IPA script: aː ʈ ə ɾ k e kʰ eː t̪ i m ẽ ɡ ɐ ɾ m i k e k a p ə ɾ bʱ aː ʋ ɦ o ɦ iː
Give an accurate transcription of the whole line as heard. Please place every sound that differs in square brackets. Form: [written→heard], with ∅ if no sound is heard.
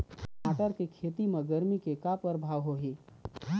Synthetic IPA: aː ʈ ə ɾ k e kʰ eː t̪ i m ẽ ɡ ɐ ɾ m i k e k a p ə ɾ bʱ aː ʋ ɦ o ɦ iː

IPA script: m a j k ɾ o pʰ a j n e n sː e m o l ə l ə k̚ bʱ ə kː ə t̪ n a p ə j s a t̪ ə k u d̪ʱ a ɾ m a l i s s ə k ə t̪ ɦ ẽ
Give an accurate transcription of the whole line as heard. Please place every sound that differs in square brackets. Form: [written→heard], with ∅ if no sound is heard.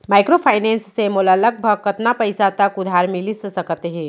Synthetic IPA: m a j k ɾ o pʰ a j n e n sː e m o l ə l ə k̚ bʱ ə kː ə t̪ n a p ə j s a t̪ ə k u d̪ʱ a ɾ m [a→i] l i s s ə k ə t̪ ɦ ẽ

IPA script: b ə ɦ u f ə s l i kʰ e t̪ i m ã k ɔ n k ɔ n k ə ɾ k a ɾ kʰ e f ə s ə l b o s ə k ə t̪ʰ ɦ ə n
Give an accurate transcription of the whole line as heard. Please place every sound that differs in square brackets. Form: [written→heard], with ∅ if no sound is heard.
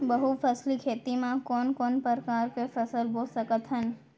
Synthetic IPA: b ə ɦ u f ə s l i kʰ e t̪ i m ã k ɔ n k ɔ n [k→p] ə ɾ k a ɾ [kʰ→k] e f ə s ə l b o s ə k ə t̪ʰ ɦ ə n

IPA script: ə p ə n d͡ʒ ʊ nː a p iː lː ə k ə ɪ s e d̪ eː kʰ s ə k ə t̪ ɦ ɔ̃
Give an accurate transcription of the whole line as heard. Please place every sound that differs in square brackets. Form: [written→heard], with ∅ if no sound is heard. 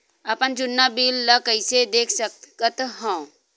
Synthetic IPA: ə p ə n d͡ʒ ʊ nː a [p→b] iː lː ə k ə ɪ s e d̪ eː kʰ s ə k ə t̪ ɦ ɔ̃

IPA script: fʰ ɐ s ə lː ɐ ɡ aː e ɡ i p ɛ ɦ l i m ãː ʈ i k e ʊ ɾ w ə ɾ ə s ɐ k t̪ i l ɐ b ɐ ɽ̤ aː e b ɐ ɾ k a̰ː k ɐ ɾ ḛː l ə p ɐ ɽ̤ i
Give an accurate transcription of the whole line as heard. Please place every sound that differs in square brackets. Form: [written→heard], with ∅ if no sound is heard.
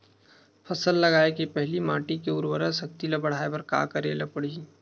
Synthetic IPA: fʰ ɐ s ə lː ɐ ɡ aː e [ɡ→k] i p ɛ ɦ l i m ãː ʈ i k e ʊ ɾ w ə ɾ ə s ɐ k t̪ i l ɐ b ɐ ɽ̤ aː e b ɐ ɾ k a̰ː k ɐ ɾ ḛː l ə p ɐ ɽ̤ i

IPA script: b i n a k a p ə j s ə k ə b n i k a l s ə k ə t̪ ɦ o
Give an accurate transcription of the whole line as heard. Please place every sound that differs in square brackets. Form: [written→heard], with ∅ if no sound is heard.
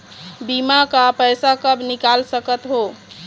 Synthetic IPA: b i [n→m] a k a p ə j s [ə→a] k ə b n i k a l s ə k ə t̪ ɦ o

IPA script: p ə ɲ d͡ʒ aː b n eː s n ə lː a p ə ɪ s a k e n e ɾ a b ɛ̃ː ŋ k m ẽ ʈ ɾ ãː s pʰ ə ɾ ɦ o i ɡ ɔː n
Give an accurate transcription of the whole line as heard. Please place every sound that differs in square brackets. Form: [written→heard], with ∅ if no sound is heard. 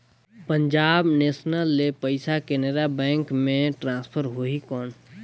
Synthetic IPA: p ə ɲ d͡ʒ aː b n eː s n ə lː [a→e] p ə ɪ s a k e n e ɾ a b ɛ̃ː ŋ k m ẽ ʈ ɾ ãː s pʰ ə ɾ ɦ o i [ɡ→k] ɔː n

